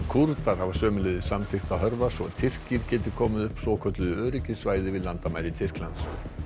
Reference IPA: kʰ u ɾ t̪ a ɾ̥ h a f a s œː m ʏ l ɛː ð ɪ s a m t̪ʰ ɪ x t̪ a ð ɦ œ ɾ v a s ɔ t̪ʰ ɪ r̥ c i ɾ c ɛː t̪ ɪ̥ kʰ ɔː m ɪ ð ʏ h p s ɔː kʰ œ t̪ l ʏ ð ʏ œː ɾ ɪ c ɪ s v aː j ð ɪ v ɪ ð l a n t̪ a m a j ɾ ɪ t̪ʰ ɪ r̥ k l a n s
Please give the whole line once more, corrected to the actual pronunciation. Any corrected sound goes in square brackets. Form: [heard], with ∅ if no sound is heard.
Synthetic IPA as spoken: kʰ u ɾ t̪ a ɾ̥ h a [v] a s œː m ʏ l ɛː ð ɪ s a m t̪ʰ ɪ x t̪ a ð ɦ œ ɾ v a s ɔ t̪ʰ ɪ r̥ c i ɾ c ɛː t̪ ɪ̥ kʰ ɔː m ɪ ð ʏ h p s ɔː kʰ œ t̪ l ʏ ð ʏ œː ɾ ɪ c ɪ s v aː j ð ɪ v ɪ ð l a n t̪ a m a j ɾ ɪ t̪ʰ ɪ r̥ k l a n s